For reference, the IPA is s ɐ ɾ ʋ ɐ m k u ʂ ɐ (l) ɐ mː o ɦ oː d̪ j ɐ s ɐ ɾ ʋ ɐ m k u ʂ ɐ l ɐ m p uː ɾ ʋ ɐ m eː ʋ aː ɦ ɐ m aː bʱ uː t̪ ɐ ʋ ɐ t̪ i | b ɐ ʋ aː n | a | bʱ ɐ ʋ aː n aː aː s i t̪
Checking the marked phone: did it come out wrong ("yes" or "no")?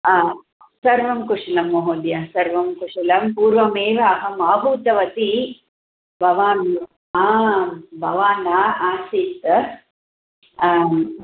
no